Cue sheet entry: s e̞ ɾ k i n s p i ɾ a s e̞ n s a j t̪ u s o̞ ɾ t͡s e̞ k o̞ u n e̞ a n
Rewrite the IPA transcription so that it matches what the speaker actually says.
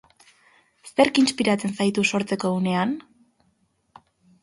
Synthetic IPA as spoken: s e̞ ɾ k i n s p i ɾ a t͡s e̞ n s a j t̪ u s o̞ ɾ t͡s e̞ k o̞ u n e̞ a n